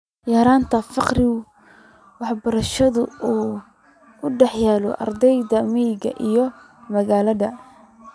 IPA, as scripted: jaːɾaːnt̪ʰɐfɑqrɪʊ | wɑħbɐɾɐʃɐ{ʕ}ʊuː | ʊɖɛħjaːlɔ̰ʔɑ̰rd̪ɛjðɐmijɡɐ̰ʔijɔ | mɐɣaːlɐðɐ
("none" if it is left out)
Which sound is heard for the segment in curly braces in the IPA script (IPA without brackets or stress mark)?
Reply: ð